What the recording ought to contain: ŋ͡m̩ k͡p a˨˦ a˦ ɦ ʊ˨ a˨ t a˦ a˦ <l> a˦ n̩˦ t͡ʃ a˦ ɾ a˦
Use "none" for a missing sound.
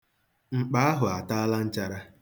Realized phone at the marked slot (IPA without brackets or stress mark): l